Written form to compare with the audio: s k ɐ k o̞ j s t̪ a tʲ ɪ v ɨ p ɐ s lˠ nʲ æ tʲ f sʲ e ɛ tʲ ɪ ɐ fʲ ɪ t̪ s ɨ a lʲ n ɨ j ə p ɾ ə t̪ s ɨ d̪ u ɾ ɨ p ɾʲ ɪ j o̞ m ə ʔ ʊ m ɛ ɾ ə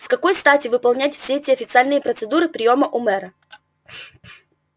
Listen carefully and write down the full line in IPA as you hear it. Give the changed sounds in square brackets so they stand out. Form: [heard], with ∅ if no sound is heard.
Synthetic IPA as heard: s k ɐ k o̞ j s t̪ a tʲ ɪ v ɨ p ɐ [∅] lˠ nʲ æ tʲ f sʲ e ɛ tʲ ɪ ɐ fʲ ɪ t̪ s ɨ a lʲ n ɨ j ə p ɾ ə t̪ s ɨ d̪ u ɾ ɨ p ɾʲ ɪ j o̞ m ə ʔ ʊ m ɛ ɾ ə